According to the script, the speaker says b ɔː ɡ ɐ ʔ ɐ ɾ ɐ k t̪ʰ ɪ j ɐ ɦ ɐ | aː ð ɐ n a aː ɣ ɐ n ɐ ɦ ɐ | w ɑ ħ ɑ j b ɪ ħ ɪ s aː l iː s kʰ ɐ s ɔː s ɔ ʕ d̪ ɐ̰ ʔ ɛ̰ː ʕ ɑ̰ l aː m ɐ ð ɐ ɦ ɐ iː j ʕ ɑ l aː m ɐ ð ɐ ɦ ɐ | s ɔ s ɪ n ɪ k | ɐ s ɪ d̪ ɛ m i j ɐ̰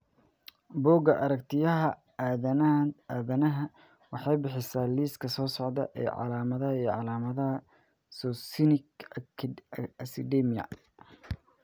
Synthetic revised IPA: b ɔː ɡ ɐ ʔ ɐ ɾ ɐ k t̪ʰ ɪ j ɐ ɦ ɐ | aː ð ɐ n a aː ð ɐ n ɐ ɦ ɐ | w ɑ ħ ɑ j b ɪ ħ ɪ s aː l iː s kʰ ɐ s ɔː s ɔ ʕ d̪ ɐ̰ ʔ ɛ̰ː ʕ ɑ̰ l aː m ɐ ð ɐ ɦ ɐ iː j ʕ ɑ l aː m ɐ ð ɐ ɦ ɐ | s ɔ s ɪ n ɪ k | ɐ s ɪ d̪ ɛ m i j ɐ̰